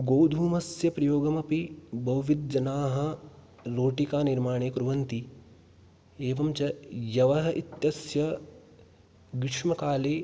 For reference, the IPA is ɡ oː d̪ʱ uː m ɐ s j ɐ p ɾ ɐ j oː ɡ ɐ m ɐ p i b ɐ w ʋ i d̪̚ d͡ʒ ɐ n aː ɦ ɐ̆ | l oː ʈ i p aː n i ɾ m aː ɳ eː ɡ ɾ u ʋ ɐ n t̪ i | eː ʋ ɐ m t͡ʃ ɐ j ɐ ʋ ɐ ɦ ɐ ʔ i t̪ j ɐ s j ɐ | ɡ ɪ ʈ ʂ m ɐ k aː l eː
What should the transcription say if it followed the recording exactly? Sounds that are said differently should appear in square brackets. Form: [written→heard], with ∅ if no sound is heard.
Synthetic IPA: ɡ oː d̪ʱ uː m ɐ s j ɐ p ɾ ɐ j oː ɡ ɐ m ɐ p i b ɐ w ʋ i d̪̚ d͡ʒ ɐ n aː ɦ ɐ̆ | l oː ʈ i [p→k] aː n i ɾ m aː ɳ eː [ɡ→k] ɾ u ʋ ɐ n t̪ i | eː ʋ ɐ m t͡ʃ ɐ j ɐ ʋ ɐ ɦ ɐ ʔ i t̪ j ɐ s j ɐ | ɡ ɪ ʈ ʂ m ɐ k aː l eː